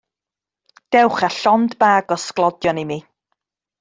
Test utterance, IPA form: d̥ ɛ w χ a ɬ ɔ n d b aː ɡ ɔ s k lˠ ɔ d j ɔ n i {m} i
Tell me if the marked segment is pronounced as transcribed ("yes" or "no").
yes